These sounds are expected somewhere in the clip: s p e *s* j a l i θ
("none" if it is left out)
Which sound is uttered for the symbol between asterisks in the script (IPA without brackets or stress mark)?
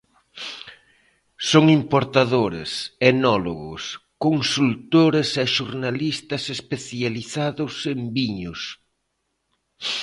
θ